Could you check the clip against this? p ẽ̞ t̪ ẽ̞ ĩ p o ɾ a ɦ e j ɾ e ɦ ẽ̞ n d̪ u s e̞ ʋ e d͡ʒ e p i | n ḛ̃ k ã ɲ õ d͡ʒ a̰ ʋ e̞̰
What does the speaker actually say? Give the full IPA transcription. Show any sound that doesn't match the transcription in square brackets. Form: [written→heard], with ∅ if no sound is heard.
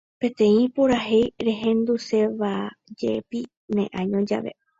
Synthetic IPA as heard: p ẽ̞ t̪ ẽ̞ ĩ p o ɾ a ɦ e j ɾ e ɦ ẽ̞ n d̪ u s e̞ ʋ [e→a] d͡ʒ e p i | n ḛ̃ [k→ʔ] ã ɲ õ d͡ʒ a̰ ʋ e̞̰